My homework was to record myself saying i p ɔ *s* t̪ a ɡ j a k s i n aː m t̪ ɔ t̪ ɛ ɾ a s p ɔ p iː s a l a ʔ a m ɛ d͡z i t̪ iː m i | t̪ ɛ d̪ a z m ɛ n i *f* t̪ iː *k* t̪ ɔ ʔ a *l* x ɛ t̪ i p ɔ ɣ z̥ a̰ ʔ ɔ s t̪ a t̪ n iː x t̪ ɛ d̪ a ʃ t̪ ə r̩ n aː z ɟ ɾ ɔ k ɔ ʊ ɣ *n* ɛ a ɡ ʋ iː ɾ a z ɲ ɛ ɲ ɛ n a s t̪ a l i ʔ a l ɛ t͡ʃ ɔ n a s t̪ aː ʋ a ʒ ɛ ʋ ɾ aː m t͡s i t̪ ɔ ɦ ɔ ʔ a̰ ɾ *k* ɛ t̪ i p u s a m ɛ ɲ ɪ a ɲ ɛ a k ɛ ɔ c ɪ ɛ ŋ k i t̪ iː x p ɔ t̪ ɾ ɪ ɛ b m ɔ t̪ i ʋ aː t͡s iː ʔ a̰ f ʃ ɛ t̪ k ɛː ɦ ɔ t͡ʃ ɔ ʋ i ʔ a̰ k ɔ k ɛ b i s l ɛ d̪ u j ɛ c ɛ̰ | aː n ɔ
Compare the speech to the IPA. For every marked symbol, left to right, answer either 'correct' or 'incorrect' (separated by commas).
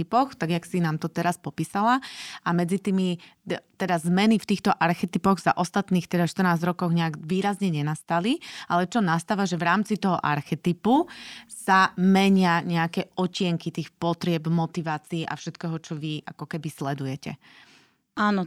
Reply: incorrect, correct, incorrect, incorrect, incorrect, incorrect